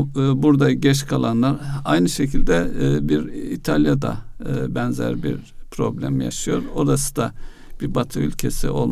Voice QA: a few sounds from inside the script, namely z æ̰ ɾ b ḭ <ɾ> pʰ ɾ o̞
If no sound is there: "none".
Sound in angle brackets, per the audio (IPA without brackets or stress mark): ɾ